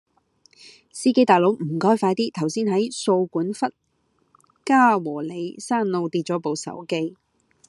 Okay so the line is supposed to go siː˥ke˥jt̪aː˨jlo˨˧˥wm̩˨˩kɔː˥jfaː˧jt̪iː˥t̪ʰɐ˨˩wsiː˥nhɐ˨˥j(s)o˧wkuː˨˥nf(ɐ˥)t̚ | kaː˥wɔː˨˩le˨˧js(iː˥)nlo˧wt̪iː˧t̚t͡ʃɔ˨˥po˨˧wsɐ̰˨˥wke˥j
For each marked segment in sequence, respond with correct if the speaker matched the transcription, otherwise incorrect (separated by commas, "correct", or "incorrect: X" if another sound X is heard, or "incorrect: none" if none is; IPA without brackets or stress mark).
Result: correct, correct, incorrect: aː˥